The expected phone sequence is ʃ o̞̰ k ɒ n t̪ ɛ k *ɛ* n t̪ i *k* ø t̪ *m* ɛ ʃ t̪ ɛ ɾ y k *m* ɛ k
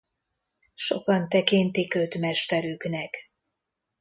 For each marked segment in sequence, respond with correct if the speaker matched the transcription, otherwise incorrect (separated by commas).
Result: incorrect, correct, correct, incorrect